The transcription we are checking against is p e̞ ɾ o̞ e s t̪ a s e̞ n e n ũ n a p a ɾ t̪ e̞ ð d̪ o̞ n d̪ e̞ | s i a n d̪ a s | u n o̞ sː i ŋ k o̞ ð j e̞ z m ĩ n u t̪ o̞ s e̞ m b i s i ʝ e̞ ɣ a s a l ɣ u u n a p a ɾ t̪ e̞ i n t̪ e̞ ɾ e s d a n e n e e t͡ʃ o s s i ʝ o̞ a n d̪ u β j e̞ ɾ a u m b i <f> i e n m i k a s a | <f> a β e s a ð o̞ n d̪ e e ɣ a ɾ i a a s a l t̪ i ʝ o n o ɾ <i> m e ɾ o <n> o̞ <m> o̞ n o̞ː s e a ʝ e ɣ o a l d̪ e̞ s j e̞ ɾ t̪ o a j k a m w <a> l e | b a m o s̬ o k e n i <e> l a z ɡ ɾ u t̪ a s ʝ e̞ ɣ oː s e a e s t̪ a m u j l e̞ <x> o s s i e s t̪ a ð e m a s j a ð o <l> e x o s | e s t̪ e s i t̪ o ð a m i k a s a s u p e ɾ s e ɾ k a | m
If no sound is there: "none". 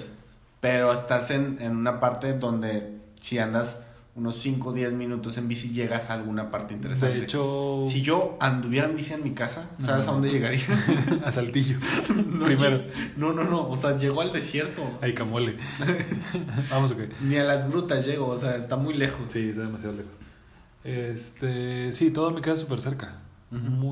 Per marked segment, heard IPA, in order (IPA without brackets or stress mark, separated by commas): s, s, i, n, n, e, a, x, l